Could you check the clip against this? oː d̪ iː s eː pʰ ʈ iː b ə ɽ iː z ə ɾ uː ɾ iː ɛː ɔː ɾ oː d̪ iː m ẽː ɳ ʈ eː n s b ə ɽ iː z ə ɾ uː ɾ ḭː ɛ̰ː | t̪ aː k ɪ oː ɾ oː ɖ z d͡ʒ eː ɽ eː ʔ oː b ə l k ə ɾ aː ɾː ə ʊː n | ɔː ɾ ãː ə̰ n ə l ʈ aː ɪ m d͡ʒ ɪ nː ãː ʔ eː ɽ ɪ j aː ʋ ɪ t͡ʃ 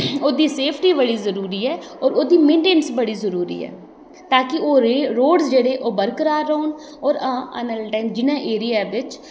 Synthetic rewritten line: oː d̪ iː s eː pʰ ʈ iː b ə ɽ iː z ə ɾ uː ɾ iː ɛː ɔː ɾ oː d̪ iː m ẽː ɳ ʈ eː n s b ə ɽ iː z ə ɾ uː ɾ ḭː ɛ̰ː | t̪ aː k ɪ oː ɾ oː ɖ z d͡ʒ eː ɽ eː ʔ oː b ə ɾ k ə ɾ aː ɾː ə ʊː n | ɔː ɾ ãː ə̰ n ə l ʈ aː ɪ m d͡ʒ ɪ n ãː ʔ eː ɾ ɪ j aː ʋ ɪ t͡ʃ

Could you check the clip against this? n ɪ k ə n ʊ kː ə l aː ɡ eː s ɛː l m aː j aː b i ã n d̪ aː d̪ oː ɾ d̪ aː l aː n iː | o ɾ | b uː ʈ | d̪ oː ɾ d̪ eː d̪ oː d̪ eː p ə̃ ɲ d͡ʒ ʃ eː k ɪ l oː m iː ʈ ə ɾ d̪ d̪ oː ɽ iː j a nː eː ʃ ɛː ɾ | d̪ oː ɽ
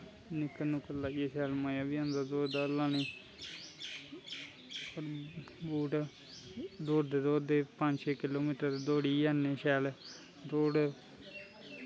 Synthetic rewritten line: n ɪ k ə n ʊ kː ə l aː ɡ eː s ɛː l m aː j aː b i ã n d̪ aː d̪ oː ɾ d̪ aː l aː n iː | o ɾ | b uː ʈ | d̪ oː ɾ d̪ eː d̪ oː d̪ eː p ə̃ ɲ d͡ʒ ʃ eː k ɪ l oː m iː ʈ ə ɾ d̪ d̪ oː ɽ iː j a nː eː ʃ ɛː l | d̪ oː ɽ

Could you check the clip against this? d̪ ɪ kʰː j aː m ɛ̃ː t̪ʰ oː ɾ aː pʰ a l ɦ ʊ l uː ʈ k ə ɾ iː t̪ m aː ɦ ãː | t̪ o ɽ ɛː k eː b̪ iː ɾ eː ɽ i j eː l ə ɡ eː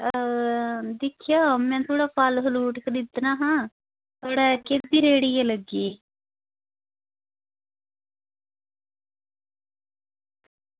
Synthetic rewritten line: d̪ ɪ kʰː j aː m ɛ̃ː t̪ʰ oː ɽ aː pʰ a l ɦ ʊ l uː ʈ k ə ɾ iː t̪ n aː ɦ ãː | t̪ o ɽ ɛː k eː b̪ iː ɾ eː ɽ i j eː l ə ɡ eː

